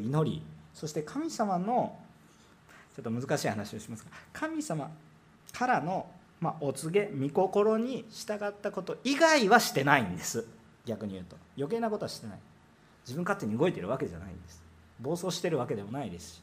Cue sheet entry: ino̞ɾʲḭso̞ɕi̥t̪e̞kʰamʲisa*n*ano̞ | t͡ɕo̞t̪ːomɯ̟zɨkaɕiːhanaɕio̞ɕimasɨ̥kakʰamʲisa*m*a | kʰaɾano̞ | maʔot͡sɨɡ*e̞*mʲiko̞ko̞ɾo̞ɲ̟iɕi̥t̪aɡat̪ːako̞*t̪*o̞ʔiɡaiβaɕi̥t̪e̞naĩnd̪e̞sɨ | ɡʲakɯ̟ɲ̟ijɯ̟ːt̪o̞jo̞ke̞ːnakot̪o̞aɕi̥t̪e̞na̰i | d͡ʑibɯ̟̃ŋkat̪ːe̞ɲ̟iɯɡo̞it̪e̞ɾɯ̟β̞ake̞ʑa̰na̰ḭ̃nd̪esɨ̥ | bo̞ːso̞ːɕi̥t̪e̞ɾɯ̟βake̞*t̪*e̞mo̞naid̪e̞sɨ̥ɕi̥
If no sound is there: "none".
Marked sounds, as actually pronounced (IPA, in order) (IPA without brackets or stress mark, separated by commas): m, m, e̞, t̪, d̪